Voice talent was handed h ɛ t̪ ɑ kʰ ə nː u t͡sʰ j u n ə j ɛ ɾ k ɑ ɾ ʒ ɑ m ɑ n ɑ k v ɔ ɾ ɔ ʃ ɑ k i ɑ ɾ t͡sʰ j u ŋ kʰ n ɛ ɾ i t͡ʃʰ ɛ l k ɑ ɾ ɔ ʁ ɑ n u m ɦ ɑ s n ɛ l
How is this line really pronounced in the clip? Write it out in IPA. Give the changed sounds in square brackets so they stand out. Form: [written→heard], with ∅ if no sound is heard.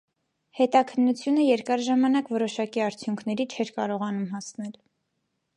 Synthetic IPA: h ɛ t̪ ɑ kʰ ə nː u t͡sʰ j u n ə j ɛ ɾ k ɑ ɾ ʒ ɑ m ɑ n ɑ k v ɔ ɾ ɔ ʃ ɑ k i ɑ ɾ t͡sʰ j u ŋ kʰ n ɛ ɾ i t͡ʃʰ ɛ [l→ɾ] k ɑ ɾ ɔ ʁ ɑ n u m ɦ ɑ s n ɛ l